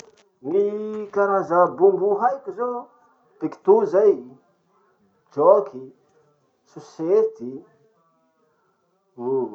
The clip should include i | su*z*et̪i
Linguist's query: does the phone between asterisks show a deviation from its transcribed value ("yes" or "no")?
yes